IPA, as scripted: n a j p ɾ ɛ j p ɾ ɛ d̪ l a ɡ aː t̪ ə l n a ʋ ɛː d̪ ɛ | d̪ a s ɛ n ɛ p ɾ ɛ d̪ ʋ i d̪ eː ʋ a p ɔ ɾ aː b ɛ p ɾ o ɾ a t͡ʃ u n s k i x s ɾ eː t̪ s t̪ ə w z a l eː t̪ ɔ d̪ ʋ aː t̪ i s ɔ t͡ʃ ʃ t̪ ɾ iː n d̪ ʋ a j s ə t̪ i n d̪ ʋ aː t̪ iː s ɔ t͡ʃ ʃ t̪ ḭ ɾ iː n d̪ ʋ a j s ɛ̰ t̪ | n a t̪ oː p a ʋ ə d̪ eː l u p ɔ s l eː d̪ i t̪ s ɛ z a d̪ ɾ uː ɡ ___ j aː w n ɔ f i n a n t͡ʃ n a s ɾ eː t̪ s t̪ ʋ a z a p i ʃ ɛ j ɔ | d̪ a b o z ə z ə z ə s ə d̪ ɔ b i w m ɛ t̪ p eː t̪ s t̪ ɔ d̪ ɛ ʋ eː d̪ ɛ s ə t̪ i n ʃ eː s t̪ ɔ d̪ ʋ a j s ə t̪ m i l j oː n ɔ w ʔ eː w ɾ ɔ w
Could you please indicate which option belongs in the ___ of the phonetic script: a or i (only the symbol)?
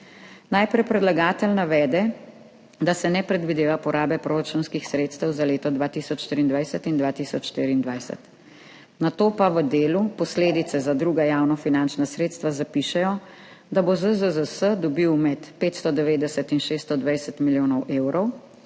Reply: a